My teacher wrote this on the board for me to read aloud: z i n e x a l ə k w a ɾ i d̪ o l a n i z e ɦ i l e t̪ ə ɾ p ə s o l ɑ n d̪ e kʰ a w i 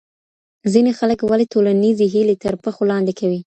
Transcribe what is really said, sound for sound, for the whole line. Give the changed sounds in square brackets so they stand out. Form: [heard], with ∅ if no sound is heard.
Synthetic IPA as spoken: z i n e x a l ə k w a [l] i [t̪] o l a n i z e ɦ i l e t̪ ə ɾ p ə [x] o l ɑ n d̪ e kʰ a w i